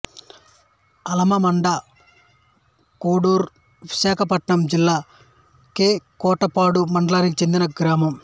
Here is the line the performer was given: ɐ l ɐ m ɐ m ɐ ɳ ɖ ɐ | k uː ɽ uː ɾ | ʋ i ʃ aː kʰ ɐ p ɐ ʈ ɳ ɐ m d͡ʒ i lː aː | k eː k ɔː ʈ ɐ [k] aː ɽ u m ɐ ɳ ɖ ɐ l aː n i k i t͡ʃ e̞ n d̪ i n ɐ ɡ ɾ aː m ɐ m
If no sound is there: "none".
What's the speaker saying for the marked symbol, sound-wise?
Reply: p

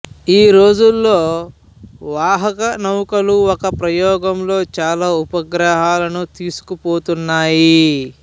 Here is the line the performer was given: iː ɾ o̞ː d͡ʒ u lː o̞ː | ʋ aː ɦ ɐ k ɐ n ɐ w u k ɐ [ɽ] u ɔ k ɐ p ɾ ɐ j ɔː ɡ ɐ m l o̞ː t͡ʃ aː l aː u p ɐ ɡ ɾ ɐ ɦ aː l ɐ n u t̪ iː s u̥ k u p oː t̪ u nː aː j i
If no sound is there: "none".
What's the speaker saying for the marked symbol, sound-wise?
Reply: l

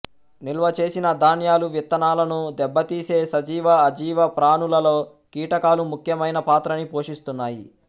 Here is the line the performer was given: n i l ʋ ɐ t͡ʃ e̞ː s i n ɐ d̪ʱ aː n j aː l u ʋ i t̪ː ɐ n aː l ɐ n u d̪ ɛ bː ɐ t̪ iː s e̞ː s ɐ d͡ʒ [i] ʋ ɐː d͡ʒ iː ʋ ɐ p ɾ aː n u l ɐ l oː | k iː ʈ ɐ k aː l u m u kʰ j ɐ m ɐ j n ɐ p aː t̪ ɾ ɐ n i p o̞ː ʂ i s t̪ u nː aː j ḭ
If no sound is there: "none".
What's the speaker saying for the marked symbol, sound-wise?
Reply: iː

